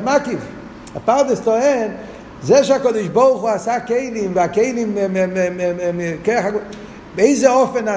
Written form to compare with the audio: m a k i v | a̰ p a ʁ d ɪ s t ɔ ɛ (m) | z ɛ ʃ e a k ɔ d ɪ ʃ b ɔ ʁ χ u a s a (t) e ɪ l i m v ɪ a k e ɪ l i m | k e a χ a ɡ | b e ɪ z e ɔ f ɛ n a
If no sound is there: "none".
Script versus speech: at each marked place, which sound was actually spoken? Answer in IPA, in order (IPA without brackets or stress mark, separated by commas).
n, k